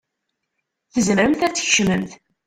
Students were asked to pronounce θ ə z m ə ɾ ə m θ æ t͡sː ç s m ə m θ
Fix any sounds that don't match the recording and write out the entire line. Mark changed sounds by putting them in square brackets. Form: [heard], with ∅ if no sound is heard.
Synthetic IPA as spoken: θ ə z m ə ɾ ə m θ æ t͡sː ç [ʃ] m ə m θ